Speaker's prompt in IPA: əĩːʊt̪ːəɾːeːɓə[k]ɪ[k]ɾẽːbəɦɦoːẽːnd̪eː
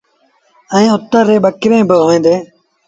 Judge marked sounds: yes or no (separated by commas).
yes, no